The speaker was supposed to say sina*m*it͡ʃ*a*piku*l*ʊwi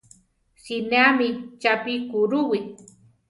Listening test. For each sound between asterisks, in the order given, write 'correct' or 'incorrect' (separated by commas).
correct, correct, incorrect